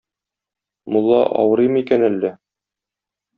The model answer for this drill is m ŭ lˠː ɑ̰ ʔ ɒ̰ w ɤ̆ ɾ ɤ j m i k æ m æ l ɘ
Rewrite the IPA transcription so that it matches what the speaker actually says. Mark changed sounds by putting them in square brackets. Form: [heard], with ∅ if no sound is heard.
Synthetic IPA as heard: m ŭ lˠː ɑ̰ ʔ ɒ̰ w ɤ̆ ɾ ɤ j m i k æ [n] æ [lː] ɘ